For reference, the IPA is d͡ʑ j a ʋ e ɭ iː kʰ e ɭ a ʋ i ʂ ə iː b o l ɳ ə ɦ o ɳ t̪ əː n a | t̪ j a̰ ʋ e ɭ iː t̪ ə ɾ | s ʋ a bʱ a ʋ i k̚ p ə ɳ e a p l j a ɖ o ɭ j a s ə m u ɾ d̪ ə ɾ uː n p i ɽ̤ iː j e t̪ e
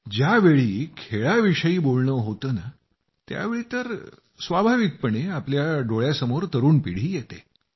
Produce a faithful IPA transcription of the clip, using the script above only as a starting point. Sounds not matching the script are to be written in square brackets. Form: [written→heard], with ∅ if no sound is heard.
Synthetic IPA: d͡ʑ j a ʋ e ɭ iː kʰ e ɭ a ʋ i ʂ ə iː b o l ɳ ə ɦ o [ɳ→∅] t̪ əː n a | t̪ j a̰ ʋ e ɭ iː t̪ ə ɾ | s ʋ a bʱ a ʋ i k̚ p ə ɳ e a p l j a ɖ o ɭ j a s ə m [u→o] ɾ [d̪→t̪] ə ɾ uː n p i ɽ̤ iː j e t̪ e

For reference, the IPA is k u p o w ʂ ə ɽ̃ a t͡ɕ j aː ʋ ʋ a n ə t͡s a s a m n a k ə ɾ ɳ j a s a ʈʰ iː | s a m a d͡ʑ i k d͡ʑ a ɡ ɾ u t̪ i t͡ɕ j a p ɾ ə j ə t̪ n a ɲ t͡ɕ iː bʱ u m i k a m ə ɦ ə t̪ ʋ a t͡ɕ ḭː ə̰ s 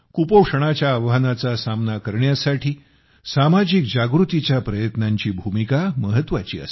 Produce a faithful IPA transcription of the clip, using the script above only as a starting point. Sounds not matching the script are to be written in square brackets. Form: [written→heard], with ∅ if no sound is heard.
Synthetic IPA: k u p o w ʂ ə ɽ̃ a t͡ɕ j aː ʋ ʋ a n [ə→a] t͡s a s a m n a k ə ɾ ɳ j a s a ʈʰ iː | s a m a d͡ʑ i k d͡ʑ a ɡ ɾ u t̪ i t͡ɕ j a p ɾ ə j ə t̪ n a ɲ t͡ɕ iː bʱ u m i k a m ə ɦ ə t̪ ʋ a t͡ɕ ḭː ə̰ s

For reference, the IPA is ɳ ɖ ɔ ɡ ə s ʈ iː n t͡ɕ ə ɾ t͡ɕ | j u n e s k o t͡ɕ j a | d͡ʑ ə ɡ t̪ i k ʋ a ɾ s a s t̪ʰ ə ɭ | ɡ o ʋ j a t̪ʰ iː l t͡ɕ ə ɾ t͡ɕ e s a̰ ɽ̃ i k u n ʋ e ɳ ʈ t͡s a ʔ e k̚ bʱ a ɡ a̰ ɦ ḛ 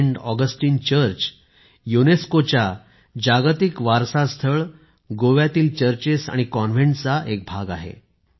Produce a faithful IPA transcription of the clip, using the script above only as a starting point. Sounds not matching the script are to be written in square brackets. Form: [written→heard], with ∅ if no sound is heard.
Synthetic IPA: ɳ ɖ ɔ ɡ ə s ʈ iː n t͡ɕ ə ɾ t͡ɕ | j u n e s k o t͡ɕ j a | d͡ʑ [ə→a] ɡ t̪ i k ʋ a ɾ s a s t̪ʰ ə ɭ | ɡ o ʋ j a [t̪ʰ→t̪] iː l t͡ɕ ə ɾ t͡ɕ e s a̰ ɽ̃ i k [u→ɔ] n ʋ e ɳ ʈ t͡s a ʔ e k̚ bʱ a ɡ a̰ ɦ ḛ

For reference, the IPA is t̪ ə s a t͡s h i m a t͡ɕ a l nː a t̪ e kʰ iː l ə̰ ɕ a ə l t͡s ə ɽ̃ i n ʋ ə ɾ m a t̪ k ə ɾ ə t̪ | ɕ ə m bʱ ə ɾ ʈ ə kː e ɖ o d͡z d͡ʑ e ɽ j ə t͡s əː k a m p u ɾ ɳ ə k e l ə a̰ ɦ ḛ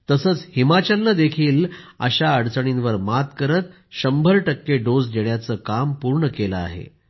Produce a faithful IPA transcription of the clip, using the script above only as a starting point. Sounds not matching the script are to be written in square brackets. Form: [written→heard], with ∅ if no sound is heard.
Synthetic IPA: t̪ ə s [a→ə] t͡s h i m a t͡ɕ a l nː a [t̪→d̪] e kʰ iː l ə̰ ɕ a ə [l→ɽ] t͡s ə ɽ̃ i n ʋ ə ɾ m a t̪ k ə ɾ ə t̪ | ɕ ə m bʱ ə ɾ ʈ ə kː e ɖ o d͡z d͡ʑ e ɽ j [ə→a] t͡s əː k a m p u ɾ ɳ ə k e l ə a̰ ɦ ḛ

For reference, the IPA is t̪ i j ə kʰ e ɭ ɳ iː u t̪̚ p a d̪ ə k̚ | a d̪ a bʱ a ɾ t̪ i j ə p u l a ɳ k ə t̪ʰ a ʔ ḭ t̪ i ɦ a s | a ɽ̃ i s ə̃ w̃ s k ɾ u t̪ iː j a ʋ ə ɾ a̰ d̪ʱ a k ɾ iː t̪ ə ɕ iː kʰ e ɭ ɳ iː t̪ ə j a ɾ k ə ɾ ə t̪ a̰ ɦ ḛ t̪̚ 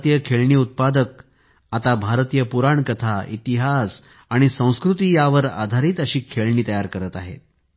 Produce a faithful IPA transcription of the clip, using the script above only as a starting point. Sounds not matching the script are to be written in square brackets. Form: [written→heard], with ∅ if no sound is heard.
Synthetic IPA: t̪ i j ə kʰ e ɭ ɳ iː u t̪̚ p a d̪ ə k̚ | a [d̪→t̪] a bʱ a ɾ t̪ i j ə p u [l→ɾ] a ɳ k ə t̪ʰ a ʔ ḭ t̪ i ɦ a s | a ɽ̃ i s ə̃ w̃ s k ɾ u t̪ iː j a ʋ ə ɾ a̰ d̪ʱ a [k→∅] ɾ iː t̪ ə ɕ iː kʰ e ɭ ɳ iː t̪ ə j a ɾ k ə ɾ ə t̪ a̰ ɦ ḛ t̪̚

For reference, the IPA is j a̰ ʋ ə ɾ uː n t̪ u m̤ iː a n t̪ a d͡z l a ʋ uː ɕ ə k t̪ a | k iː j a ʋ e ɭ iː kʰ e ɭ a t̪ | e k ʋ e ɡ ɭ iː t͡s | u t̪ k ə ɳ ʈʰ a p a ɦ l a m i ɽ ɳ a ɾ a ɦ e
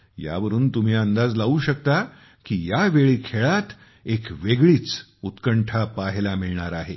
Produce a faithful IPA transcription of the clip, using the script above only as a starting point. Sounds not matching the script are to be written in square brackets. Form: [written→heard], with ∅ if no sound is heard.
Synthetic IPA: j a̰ ʋ ə ɾ uː n t̪ u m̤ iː [a→ə] n [t̪→d̪] a d͡z l a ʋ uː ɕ ə k t̪ a | k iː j a ʋ e ɭ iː kʰ e ɭ a t̪ | e k ʋ e ɡ ɭ iː t͡s | u t̪ k ə ɳ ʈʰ a p a ɦ l a m i [ɽ→ɭ] ɳ a ɾ a ɦ e

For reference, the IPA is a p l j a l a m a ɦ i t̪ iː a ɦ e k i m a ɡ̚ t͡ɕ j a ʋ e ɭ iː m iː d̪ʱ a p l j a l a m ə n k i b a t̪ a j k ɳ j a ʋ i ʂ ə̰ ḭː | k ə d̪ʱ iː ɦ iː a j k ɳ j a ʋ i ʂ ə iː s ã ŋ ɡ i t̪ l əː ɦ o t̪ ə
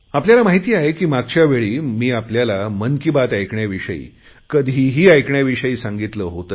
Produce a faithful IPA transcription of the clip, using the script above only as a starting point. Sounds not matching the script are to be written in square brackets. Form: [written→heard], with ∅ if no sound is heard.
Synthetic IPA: a p l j a l a m a ɦ i t̪ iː a ɦ e k [i→iː] m a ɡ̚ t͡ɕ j a ʋ e ɭ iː m iː [d̪ʱ→∅] a p l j a l a m ə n k i b a t̪ a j k ɳ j a ʋ i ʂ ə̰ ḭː | k ə d̪ʱ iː ɦ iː a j k ɳ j a ʋ i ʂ ə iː s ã ŋ ɡ i t̪ l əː ɦ o t̪ ə

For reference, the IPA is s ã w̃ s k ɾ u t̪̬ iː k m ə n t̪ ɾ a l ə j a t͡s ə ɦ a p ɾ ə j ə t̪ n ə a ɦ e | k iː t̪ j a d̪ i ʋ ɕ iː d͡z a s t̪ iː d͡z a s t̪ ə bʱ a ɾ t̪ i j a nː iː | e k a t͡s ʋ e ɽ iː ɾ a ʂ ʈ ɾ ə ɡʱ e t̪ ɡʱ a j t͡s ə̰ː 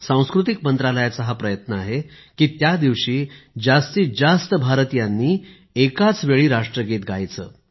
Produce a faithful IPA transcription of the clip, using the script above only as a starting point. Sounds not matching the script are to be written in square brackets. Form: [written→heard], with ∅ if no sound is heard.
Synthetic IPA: s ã w̃ s k ɾ u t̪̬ [iː→i] k m ə n t̪ ɾ a l ə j a t͡s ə ɦ a p ɾ ə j ə t̪ n ə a ɦ e | k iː t̪ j a d̪ i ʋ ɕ iː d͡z a s t̪ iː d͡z a s t̪ ə bʱ a ɾ t̪ i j a nː iː | e k a t͡s ʋ e [ɽ→ɭ] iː ɾ a ʂ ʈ ɾ ə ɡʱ e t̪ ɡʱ a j t͡s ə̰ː

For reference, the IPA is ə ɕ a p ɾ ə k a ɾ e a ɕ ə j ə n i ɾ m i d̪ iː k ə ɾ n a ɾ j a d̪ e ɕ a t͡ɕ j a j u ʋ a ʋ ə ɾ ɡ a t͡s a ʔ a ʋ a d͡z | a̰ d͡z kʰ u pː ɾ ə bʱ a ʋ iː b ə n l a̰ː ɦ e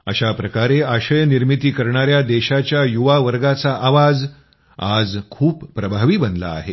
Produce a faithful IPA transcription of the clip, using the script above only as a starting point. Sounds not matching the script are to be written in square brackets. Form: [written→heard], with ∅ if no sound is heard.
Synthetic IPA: ə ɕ a p ɾ ə k a ɾ e a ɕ ə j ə n i ɾ m i [d̪→t̪] iː k ə ɾ [n→ɳ] a ɾ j a d̪ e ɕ a t͡ɕ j a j u ʋ a ʋ ə ɾ ɡ a t͡s a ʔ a ʋ a d͡z | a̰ d͡z kʰ [u→uː] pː ɾ ə bʱ a ʋ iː b ə n l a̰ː ɦ e

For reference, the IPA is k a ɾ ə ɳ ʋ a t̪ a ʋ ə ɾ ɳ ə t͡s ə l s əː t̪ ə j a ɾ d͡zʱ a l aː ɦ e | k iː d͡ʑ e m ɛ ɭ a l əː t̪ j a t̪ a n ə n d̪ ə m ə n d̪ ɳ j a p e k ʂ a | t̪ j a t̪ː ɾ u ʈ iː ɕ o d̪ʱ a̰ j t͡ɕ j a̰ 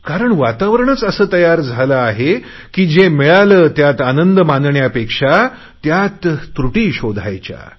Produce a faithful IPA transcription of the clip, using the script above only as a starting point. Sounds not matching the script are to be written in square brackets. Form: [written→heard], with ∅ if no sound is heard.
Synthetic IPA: k a ɾ ə ɳ ʋ a t̪ a ʋ ə ɾ ɳ ə t͡s ə [l→∅] s əː t̪ ə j a ɾ d͡zʱ a l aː ɦ e | k iː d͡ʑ e m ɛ ɭ a l əː t̪ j a t̪ a n ə n d̪ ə m [ə→a] n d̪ ɳ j a p e k ʂ a | t̪ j a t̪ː ɾ u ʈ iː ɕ o d̪ʱ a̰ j t͡ɕ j a̰

